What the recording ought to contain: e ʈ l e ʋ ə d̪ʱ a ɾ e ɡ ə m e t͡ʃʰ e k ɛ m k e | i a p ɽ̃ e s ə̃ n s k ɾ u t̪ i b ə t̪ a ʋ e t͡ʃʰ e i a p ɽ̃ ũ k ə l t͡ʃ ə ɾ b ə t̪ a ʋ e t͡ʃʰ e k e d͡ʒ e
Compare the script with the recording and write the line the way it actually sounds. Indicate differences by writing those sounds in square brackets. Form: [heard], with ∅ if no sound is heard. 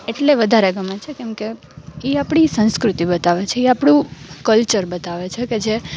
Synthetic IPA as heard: e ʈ l e ʋ ə d̪ʱ a ɾ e ɡ ə m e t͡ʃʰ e k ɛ m k e | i a p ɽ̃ [i] s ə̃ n s k ɾ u t̪ i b ə t̪ a ʋ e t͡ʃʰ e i a p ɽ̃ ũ k ə l t͡ʃ ə ɾ b ə t̪ a ʋ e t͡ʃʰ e k e d͡ʒ e